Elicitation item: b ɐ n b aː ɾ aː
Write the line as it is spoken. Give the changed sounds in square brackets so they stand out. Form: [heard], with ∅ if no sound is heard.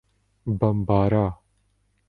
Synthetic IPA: b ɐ [m] b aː ɾ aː